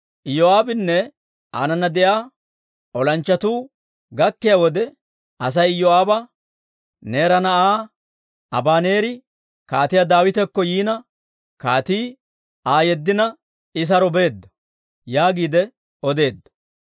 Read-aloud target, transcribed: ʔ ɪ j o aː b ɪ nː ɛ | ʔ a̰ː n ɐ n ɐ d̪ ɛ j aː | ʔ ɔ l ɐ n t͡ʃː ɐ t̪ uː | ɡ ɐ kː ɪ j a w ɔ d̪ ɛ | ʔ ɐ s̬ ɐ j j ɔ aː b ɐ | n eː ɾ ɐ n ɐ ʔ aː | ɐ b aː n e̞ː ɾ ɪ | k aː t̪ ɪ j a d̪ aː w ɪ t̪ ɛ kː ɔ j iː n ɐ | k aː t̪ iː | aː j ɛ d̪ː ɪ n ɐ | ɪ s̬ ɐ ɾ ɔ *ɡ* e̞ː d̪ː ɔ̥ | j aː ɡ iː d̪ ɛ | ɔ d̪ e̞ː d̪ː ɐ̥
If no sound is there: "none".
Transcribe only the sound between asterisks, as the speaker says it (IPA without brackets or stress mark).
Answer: b